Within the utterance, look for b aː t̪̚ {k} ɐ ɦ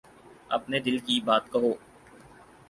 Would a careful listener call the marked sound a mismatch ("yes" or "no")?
no